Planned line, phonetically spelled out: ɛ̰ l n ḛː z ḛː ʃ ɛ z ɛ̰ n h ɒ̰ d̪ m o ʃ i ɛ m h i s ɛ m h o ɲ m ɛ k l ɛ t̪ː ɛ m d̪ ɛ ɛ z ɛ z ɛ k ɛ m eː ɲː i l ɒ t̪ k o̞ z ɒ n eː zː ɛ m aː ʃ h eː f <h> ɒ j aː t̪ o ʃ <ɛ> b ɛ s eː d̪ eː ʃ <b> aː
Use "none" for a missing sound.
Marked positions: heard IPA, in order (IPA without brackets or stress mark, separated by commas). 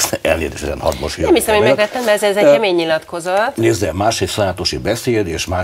s, i, m